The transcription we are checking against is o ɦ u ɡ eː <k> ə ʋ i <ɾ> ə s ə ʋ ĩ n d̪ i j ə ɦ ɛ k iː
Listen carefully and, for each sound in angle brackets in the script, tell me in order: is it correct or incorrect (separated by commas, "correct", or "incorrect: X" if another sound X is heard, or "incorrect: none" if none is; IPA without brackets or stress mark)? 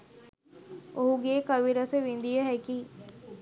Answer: correct, correct